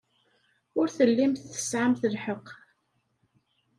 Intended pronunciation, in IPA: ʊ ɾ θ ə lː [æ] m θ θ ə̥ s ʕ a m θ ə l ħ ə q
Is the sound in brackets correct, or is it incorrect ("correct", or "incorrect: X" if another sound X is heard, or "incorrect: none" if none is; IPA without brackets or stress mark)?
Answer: incorrect: i